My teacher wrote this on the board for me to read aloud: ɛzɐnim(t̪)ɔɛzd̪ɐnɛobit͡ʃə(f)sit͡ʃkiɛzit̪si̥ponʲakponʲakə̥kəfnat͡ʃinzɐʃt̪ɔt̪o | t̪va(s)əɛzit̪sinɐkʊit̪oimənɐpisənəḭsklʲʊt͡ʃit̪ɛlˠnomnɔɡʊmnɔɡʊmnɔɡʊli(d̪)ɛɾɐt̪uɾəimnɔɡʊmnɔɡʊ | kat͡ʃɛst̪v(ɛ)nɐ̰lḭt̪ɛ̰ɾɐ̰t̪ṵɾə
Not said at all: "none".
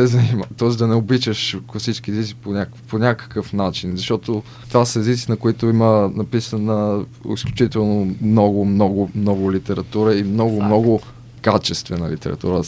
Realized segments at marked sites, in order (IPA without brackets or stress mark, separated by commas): t̪, ʃ, s, t̪, ɛ